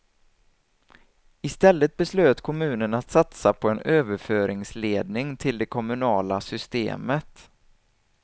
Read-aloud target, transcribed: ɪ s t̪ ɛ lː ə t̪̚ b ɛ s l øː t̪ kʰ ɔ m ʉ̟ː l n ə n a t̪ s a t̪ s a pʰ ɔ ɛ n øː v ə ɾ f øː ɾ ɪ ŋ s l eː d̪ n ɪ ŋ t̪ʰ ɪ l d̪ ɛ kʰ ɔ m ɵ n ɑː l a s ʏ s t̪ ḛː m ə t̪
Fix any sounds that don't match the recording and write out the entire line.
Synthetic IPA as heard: ɪ s t̪ ɛ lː ə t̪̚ b ɛ s l øː t̪ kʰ ɔ m ʉ̟ː n ə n a t̪ s a t̪ s a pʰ ɔ ɛ n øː v ə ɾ f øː ɾ ɪ ŋ s l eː d̪ n ɪ ŋ t̪ʰ ɪ l d̪ ɛ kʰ ɔ m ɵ n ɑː l a s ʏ s t̪ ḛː m ə t̪